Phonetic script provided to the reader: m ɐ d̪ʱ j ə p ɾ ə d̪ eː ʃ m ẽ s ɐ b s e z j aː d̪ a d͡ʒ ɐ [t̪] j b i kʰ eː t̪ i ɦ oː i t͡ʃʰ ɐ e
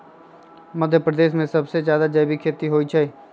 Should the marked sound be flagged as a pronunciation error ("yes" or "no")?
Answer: yes